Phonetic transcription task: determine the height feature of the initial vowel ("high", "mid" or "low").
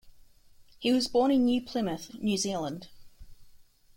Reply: high